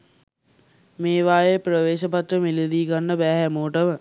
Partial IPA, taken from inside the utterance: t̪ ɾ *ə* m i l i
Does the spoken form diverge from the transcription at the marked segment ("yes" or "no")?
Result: no